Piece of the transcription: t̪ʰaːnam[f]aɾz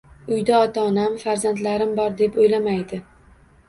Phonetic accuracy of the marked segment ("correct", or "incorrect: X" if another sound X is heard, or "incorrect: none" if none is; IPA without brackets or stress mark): correct